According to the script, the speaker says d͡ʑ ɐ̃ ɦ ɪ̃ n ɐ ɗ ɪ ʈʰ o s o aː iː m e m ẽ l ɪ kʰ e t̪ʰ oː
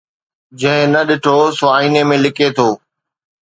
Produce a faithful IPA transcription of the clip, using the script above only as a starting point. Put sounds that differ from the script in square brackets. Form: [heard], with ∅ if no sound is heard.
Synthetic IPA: d͡ʑ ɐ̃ ɦ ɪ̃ n ɐ ɗ ɪ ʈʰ o s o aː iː [n] e m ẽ l ɪ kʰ e t̪ʰ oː